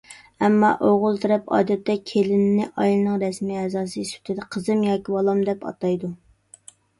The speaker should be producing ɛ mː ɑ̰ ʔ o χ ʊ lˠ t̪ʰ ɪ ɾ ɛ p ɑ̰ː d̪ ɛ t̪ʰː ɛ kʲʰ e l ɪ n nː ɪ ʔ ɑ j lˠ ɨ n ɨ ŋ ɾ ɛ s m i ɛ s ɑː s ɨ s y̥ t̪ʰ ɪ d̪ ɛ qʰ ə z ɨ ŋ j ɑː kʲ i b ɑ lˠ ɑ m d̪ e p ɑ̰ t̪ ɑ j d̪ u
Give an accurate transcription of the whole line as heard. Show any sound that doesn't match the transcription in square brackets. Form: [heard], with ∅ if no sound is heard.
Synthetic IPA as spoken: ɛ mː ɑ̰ ʔ o [ʁ] ʊ lˠ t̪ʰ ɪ ɾ ɛ p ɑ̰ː d̪ ɛ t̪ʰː ɛ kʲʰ e l ɪ n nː ɪ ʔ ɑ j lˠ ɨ n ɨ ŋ ɾ ɛ s m i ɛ [z] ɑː s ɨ s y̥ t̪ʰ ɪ d̪ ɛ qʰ ə z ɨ [m] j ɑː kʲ i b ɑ lˠ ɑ m d̪ [ɛ] p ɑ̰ t̪ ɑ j d̪ u

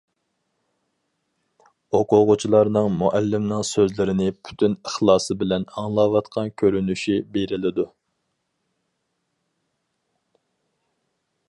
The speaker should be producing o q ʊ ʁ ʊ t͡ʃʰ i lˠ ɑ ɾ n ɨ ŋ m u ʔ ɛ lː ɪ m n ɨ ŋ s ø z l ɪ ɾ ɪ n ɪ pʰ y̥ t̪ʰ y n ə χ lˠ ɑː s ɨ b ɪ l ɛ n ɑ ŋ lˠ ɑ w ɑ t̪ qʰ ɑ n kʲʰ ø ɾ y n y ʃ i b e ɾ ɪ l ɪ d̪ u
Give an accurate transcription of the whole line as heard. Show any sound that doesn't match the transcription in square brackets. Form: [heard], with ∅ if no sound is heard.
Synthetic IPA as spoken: o q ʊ ʁ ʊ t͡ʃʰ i lˠ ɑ ɾ n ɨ ŋ m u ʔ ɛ lː ɪ m n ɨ ŋ s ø z l ɪ ɾ ɪ n ɪ pʰ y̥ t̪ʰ y n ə χ lˠ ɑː s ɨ b ɪ l ɛ n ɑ ŋ lˠ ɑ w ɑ t̪ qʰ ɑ n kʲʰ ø ɾ y n y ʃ i b e ɾ ɪ l ɪ d̪ u

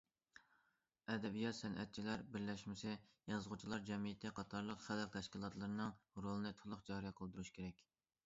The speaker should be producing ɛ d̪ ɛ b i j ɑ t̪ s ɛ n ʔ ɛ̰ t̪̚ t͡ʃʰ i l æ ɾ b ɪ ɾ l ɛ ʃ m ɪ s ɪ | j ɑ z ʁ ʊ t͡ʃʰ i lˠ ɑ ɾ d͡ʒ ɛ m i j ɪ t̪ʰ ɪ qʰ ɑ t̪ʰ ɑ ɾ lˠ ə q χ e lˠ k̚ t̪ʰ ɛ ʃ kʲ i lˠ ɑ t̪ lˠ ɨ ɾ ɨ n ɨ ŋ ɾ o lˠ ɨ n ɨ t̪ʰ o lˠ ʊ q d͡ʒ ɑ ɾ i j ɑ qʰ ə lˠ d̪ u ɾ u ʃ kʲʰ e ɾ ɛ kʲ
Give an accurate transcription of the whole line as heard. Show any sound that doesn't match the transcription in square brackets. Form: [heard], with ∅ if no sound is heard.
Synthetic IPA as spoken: ɛ d̪ ɛ b i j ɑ t̪ s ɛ n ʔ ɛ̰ t̪̚ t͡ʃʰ i l æ ɾ b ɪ ɾ l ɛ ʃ m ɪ s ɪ | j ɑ z ʁ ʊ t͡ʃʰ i lˠ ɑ ɾ d͡ʒ ɛ m i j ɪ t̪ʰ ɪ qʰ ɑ t̪ʰ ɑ ɾ lˠ ə q χ [æ] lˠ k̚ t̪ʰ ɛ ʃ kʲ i lˠ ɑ t̪ lˠ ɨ ɾ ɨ n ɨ ŋ ɾ o lˠ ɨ n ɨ t̪ʰ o lˠ ʊ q d͡ʒ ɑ ɾ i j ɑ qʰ ə lˠ d̪ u ɾ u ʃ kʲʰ e ɾ ɛ kʲ

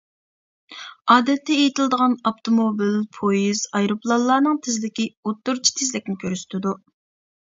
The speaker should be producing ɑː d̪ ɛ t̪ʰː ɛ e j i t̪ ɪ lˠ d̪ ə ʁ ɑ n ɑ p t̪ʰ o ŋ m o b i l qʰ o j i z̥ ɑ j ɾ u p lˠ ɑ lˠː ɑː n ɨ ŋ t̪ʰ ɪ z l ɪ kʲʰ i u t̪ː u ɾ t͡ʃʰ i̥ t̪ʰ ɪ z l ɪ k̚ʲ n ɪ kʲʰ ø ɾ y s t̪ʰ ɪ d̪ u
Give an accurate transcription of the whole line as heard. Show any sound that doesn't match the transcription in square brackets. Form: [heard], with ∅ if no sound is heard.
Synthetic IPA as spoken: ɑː d̪ ɛ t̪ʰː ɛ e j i t̪ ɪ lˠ d̪ ə ʁ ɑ n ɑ p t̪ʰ o [∅] m o b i l [pʰ] o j i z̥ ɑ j ɾ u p lˠ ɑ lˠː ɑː n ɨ ŋ t̪ʰ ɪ z l ɪ [kʲ] i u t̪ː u ɾ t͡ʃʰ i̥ t̪ʰ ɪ z l ɪ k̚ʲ n ɪ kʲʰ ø ɾ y s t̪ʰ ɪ d̪ u

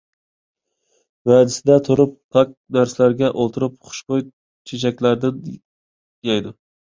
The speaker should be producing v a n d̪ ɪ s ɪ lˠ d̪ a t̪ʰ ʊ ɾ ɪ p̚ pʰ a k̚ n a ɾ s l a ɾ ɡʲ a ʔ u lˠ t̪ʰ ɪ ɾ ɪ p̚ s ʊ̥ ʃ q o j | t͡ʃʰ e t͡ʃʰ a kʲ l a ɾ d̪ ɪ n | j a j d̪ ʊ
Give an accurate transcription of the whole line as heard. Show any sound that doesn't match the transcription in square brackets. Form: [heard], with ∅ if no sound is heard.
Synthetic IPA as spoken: v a [∅] d̪ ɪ s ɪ [∅] d̪ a t̪ʰ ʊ ɾ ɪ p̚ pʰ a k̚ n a ɾ s l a ɾ ɡʲ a ʔ [o] lˠ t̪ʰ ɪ ɾ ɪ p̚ [χ] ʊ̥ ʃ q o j | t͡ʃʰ e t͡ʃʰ a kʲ l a ɾ d̪ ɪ n | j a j d̪ ʊ

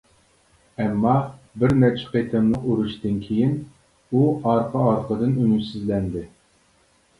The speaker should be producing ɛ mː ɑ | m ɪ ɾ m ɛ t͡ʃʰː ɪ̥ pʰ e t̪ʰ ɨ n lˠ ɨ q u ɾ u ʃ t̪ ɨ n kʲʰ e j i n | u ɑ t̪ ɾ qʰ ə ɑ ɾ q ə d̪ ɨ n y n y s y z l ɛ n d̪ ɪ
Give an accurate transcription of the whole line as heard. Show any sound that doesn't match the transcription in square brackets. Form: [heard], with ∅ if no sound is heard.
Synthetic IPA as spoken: ɛ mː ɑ | [b] ɪ ɾ m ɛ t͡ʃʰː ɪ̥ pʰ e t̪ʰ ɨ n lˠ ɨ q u ɾ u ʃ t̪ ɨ n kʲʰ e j i n | u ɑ [∅] ɾ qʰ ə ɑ ɾ q ə d̪ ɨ n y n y s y z l ɛ n d̪ ɪ

